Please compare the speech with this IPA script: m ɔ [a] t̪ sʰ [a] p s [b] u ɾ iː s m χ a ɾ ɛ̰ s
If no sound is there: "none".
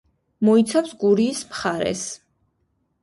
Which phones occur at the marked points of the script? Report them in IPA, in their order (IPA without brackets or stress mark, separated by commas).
i, a, ɡ